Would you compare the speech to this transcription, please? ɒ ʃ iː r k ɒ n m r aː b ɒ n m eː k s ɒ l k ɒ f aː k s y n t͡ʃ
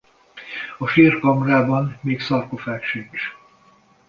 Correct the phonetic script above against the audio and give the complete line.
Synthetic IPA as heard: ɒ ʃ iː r k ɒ m r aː b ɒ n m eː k s ɒ r k o f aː k ʃ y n t͡ʃ